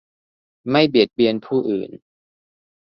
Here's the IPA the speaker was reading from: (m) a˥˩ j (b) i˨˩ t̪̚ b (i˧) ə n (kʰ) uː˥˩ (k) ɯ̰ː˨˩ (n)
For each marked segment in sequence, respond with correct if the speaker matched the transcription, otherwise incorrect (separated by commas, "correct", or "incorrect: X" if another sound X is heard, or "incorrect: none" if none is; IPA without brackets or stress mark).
correct, correct, correct, incorrect: pʰ, incorrect: ʔ, correct